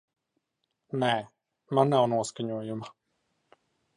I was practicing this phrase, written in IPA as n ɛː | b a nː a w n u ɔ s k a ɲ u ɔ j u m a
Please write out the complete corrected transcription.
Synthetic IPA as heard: n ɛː | m a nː a w n u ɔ s k a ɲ u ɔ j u m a